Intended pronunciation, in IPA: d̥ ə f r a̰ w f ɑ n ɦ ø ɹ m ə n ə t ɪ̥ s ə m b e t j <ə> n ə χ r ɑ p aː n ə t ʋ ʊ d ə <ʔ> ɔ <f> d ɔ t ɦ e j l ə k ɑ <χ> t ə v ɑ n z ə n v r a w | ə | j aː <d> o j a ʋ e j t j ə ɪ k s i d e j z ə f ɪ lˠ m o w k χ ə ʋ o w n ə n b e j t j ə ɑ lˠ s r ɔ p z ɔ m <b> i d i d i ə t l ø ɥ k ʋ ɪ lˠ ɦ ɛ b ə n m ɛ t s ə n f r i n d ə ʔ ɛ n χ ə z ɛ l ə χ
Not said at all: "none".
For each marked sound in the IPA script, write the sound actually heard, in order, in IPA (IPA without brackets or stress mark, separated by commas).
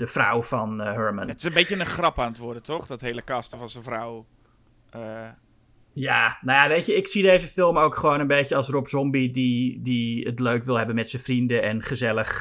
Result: ə, t, χ, s, n, b